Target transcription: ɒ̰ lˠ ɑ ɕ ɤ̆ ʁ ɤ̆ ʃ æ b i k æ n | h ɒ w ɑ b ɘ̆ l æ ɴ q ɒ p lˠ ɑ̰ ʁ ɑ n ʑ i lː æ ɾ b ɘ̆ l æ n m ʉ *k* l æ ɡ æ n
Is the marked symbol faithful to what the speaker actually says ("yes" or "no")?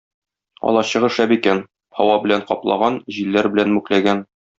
yes